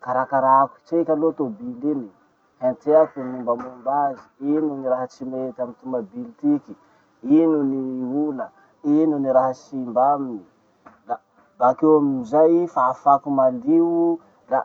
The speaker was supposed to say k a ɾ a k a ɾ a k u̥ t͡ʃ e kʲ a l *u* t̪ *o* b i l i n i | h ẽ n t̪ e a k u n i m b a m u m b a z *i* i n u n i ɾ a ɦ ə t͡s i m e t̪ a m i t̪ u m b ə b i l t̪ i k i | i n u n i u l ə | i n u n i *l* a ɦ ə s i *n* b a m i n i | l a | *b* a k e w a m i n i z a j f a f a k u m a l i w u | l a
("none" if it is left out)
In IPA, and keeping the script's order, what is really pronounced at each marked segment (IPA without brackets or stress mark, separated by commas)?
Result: o, o, i, ɾ, m, b